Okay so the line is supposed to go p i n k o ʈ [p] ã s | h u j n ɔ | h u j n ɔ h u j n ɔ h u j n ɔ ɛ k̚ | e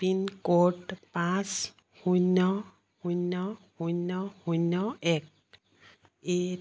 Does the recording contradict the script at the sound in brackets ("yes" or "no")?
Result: no